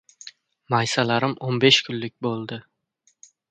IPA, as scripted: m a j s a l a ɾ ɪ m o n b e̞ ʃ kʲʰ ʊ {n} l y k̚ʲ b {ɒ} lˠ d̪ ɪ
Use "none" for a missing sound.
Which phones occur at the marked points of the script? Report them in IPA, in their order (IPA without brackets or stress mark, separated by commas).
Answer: n, o